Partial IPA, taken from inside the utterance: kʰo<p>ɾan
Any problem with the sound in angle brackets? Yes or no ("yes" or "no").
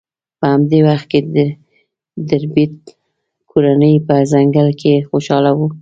yes